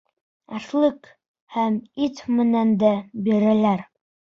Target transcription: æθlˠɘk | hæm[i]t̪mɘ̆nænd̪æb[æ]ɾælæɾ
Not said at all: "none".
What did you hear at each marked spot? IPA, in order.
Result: i, i

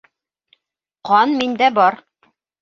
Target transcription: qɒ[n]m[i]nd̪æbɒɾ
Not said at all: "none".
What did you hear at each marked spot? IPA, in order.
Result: n, i

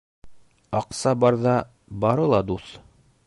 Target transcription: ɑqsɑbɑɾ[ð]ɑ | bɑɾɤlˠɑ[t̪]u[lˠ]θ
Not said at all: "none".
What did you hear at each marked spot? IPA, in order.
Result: ð, d̪, none

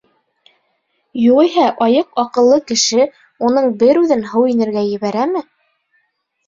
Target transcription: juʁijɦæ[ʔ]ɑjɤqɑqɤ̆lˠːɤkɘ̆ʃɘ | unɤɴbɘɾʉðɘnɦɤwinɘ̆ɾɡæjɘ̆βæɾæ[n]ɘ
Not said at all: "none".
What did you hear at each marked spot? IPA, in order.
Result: ʔ, m

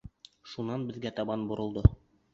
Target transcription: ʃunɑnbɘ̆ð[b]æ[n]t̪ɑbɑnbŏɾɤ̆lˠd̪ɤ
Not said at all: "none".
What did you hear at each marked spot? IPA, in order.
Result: ɡ, none

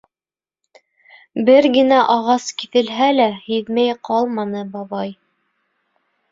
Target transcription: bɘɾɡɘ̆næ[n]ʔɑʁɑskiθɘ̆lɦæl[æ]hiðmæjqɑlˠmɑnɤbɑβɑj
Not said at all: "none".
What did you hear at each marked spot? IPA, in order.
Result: none, æ

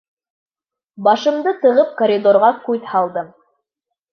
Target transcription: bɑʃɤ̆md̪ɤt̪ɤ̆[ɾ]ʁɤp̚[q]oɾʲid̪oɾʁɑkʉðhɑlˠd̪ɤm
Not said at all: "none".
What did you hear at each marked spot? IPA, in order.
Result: none, k

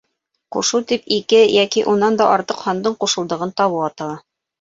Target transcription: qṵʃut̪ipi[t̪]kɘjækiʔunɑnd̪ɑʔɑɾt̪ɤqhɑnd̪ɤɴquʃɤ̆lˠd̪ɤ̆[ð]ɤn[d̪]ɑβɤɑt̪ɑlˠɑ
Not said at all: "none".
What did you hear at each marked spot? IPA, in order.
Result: none, ʁ, t̪

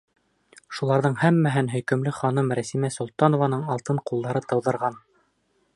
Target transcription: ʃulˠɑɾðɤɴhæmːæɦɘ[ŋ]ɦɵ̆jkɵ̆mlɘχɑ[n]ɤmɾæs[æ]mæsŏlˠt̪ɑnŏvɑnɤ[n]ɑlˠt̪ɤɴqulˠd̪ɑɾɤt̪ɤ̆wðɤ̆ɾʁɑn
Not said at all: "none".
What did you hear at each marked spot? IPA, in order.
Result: n, n, i, ɴ

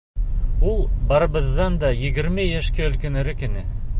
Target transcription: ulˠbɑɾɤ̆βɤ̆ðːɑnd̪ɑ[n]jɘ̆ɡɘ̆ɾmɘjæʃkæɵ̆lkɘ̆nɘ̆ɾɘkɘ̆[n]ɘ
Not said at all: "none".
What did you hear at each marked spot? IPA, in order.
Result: none, n

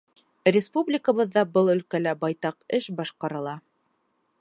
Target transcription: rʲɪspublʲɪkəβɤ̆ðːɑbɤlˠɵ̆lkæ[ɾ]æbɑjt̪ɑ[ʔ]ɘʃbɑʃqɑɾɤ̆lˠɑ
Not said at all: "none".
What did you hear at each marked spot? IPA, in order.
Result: l, q

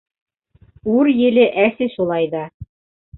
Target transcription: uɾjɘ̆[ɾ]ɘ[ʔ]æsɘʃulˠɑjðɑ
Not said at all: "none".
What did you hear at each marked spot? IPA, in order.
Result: l, ʔ

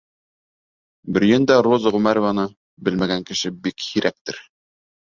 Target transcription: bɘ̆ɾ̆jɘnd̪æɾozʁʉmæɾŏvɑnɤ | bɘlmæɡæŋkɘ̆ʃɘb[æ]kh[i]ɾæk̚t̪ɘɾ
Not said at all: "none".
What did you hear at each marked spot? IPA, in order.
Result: i, i

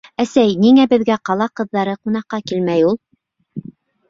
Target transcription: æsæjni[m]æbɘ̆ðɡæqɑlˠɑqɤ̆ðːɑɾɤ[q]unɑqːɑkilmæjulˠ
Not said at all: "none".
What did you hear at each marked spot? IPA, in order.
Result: ŋ, q

